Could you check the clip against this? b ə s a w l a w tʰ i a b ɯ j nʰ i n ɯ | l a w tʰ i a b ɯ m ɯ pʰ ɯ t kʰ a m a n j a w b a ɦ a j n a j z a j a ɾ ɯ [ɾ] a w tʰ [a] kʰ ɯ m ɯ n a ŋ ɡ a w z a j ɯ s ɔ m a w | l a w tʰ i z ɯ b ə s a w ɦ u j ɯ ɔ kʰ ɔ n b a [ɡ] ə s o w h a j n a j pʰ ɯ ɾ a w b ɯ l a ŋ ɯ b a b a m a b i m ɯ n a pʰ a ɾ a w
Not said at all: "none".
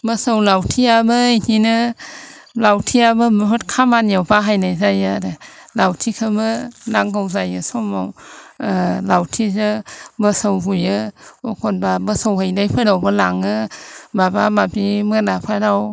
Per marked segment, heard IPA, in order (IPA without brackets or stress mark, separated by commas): l, i, b